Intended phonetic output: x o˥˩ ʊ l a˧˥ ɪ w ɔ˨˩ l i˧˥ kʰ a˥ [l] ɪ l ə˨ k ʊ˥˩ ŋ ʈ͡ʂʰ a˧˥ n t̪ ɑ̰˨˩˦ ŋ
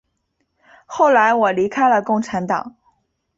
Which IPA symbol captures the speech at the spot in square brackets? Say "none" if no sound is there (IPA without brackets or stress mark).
none